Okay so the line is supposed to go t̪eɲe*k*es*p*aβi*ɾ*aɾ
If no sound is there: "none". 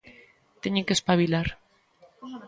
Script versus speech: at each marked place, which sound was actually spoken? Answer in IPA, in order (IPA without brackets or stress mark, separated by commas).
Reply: k, p, l